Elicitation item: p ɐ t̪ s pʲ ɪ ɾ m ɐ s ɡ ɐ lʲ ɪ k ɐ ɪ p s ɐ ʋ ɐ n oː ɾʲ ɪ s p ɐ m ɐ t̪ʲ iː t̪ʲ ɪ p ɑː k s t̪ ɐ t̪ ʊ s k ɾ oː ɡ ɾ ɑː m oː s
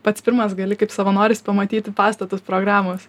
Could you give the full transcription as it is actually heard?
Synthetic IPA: p ɐ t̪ s pʲ ɪ ɾ m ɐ s ɡ ɐ lʲ ɪ k ɐ ɪ p s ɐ ʋ ɐ n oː ɾʲ ɪ s p ɐ m ɐ t̪ʲ iː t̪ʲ ɪ p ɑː s t̪ ɐ t̪ ʊ s p ɾ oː ɡ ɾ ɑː m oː s